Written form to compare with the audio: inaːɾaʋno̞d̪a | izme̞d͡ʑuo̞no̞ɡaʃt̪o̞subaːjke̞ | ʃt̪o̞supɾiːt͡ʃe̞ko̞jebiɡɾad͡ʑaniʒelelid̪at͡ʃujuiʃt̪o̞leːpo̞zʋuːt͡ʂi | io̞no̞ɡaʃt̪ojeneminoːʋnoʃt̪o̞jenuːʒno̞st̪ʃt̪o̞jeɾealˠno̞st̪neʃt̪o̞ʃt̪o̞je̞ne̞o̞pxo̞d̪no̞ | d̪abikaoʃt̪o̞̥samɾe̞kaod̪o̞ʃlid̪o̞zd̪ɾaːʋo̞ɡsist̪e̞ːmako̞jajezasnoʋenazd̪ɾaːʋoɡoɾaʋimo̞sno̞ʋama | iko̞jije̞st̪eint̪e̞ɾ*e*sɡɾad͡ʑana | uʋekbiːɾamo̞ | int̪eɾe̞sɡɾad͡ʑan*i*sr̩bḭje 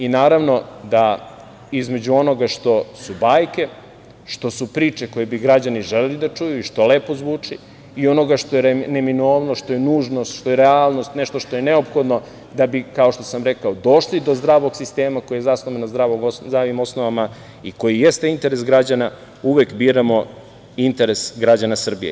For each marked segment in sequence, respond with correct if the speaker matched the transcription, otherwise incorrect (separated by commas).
correct, incorrect